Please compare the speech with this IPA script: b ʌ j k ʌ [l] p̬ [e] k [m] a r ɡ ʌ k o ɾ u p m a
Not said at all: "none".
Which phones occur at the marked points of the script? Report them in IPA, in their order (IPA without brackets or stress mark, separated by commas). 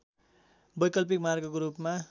l, i, m